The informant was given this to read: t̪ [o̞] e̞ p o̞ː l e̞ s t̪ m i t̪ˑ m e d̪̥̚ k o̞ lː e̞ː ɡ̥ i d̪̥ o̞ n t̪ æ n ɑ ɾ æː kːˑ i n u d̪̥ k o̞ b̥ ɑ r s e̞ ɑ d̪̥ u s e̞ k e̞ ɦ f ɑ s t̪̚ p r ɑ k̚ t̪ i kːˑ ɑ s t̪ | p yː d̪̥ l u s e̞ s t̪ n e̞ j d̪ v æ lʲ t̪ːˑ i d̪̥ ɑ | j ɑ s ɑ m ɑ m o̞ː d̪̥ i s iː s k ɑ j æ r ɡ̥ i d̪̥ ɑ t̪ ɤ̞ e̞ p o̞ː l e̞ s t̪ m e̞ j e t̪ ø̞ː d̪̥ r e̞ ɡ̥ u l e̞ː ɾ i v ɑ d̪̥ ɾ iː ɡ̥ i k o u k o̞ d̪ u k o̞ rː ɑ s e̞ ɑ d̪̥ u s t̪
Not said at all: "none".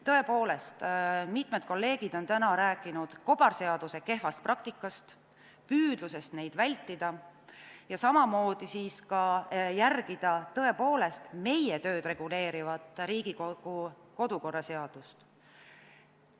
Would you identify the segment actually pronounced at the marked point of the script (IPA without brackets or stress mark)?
ɤ̞